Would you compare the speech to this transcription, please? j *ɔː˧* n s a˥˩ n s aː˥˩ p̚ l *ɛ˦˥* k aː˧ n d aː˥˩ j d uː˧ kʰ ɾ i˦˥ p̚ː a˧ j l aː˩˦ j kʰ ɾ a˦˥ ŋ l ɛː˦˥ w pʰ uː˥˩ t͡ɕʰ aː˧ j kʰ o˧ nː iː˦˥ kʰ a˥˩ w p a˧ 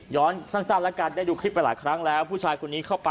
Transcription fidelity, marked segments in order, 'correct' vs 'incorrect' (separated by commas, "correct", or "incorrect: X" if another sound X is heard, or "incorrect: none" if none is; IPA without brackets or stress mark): incorrect: ɔː˦˥, correct